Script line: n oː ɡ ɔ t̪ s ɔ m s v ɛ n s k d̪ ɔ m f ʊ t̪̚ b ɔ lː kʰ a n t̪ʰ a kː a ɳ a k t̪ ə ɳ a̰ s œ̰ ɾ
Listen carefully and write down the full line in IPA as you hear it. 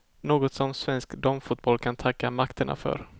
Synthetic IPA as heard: n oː ɡ ɔ t̪ s ɔ m s v ɛ n s k d̪ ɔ m f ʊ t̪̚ b ɔ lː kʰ a n t̪ʰ a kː a m a k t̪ ə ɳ a̰ f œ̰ ɾ